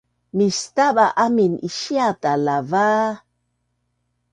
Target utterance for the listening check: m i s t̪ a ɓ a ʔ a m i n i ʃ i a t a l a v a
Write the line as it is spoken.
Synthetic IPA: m i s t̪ a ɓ a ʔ a m i n i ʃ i a t a l a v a